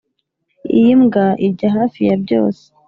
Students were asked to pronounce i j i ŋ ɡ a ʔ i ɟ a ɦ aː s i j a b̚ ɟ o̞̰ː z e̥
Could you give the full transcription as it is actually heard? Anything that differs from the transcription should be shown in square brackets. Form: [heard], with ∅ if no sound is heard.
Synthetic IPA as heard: i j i [m] ɡ a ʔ i ɟ a ɦ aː [f] i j a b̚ ɟ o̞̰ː [s] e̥